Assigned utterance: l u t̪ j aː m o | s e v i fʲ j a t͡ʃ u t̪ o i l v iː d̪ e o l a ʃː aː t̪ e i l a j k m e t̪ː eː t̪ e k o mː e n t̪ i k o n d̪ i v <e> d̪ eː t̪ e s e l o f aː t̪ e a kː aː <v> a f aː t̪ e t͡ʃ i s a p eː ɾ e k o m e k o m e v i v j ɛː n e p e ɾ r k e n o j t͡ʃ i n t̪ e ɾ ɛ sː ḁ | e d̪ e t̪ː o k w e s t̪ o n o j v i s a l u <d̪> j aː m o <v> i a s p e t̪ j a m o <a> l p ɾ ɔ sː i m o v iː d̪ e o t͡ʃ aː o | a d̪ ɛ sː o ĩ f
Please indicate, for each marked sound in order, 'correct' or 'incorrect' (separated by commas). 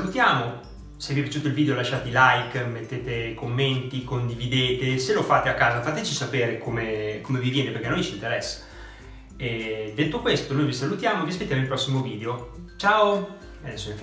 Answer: incorrect, incorrect, incorrect, correct, incorrect